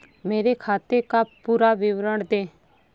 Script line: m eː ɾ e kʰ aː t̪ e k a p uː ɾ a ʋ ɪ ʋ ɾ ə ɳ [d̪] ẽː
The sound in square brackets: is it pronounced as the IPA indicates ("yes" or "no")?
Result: yes